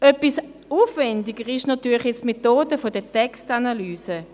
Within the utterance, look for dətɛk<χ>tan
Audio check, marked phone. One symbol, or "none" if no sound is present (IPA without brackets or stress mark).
s